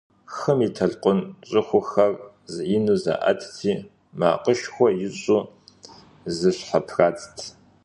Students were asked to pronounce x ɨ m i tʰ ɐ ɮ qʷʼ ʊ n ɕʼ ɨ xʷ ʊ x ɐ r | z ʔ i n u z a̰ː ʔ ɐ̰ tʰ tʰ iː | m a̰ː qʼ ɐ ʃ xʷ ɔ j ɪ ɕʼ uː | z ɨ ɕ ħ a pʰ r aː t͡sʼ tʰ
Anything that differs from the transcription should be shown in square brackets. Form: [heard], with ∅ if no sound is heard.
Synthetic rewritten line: x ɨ m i tʰ ɐ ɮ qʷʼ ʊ n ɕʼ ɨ xʷ ʊ x ɐ r | z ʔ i n u z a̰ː ʔ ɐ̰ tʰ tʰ iː | m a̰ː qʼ [ə] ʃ xʷ ɔ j ɪ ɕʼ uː | z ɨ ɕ ħ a pʰ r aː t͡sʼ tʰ